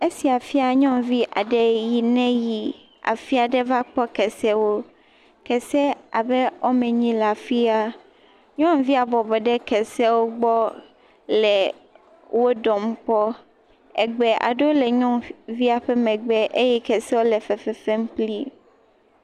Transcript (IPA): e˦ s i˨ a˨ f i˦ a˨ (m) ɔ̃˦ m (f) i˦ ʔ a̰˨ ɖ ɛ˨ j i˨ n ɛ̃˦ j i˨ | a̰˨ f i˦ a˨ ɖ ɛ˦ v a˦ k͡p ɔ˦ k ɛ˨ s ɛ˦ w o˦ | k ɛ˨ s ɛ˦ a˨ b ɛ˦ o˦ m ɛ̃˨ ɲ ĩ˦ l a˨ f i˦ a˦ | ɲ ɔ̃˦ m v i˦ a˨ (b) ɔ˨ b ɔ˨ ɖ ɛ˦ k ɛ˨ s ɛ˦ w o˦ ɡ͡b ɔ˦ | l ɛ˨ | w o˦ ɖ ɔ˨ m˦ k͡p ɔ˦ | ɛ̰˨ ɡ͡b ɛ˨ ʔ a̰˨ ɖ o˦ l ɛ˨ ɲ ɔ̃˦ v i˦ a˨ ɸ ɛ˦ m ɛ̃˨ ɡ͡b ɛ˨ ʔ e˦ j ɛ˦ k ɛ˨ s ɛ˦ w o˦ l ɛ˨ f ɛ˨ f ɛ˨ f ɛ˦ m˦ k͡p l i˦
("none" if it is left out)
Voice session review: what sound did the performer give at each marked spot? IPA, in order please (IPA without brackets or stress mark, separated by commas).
ɲ, v, b